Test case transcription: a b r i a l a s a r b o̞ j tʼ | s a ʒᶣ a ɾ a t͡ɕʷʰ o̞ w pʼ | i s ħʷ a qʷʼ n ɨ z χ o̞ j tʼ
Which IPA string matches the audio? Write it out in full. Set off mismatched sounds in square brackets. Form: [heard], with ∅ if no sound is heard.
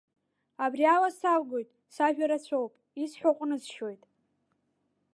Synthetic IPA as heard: a b r i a l a s a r [ɡ] o̞ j tʼ | s a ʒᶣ a ɾ a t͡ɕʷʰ o̞ w pʼ | i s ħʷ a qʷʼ n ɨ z [ʃ] o̞ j tʼ